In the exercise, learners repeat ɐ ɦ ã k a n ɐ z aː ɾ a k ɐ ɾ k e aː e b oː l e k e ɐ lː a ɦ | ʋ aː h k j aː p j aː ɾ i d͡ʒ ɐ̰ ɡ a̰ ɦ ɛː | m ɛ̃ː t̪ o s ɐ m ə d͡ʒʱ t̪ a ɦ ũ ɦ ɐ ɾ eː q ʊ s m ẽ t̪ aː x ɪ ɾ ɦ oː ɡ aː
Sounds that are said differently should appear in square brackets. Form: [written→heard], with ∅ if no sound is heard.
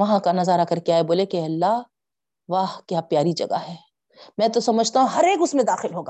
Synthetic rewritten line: ɐ ɦ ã k a n ɐ z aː ɾ a k ɐ ɾ k e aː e b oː l e k e ɐ lː a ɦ | ʋ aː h k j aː p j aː ɾ i d͡ʒ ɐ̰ ɡ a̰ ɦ ɛː | m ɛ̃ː t̪ o s ɐ m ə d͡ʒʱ t̪ a ɦ ũ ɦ ɐ ɾ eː [q→k] ʊ s m ẽ [t̪→d̪] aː x ɪ [ɾ→l] ɦ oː ɡ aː